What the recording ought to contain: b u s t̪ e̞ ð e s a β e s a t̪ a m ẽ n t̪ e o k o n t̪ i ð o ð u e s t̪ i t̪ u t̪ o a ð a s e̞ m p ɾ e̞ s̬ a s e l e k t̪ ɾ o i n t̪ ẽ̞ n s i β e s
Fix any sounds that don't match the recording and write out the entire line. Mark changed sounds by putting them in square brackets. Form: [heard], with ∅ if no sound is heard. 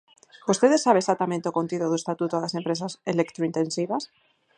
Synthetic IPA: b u s t̪ e̞ ð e s a β e s a t̪ a m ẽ n t̪ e o k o n t̪ i ð o ð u e s t̪ [a] t̪ u t̪ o a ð a s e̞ m p ɾ e̞ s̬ a s e l e k t̪ ɾ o i n t̪ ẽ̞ n s i β [a] s